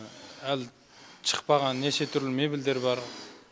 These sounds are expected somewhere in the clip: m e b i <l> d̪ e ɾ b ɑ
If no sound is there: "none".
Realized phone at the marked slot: l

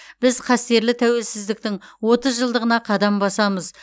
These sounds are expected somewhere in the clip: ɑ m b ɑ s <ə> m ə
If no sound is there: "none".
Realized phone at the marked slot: ɑ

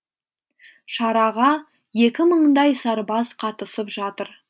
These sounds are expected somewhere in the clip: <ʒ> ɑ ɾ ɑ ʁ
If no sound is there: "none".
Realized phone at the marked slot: ʃ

